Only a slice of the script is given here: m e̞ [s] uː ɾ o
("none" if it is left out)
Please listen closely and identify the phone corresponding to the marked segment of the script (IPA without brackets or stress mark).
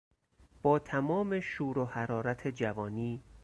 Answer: ʃ